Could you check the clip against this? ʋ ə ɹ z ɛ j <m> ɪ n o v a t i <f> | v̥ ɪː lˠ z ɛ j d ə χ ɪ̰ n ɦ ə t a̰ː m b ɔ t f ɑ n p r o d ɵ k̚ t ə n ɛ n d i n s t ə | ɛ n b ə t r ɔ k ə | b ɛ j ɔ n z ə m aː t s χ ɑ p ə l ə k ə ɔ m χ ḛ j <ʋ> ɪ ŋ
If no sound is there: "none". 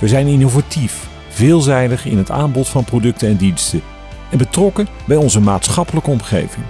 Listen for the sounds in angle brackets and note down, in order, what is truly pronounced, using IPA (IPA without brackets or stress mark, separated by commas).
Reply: n, f, v